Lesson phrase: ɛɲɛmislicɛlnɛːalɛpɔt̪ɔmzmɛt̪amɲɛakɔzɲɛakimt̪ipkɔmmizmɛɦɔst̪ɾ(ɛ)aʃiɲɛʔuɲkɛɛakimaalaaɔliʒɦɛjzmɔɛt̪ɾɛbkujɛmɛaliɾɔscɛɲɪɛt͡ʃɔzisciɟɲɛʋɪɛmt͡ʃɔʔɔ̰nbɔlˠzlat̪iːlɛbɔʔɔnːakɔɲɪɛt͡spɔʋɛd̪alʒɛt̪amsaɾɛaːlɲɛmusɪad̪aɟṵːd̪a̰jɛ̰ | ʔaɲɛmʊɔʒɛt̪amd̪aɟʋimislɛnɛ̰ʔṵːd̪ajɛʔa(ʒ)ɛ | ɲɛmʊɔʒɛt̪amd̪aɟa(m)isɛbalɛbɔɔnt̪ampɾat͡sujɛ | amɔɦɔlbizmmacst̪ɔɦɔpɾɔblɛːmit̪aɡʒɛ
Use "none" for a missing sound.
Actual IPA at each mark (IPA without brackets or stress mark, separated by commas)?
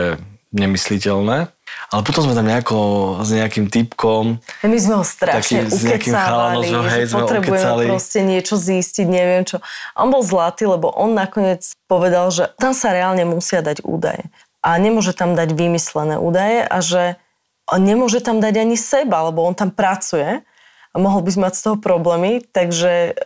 a, ʒ, ɲ